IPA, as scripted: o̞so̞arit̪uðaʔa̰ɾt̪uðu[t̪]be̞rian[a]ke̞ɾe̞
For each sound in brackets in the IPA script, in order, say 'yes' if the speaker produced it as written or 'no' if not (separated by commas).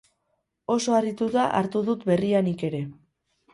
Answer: yes, no